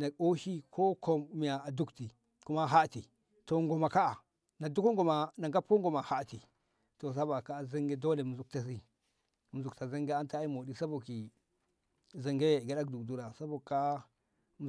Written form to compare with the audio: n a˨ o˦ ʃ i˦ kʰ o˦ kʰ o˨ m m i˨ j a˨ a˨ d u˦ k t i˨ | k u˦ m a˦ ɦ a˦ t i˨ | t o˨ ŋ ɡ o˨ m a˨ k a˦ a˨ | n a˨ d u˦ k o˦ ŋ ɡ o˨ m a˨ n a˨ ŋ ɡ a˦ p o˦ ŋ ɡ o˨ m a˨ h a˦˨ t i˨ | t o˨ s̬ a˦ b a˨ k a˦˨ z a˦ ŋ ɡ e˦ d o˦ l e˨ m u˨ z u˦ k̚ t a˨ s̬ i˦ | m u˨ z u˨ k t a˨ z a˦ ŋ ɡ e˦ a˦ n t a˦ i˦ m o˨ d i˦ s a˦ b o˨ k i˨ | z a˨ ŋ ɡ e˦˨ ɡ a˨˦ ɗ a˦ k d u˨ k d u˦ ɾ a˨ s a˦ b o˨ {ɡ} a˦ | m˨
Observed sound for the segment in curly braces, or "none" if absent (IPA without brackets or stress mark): k